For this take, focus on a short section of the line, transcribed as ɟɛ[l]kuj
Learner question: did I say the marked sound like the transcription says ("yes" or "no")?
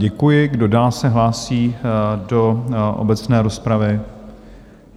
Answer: no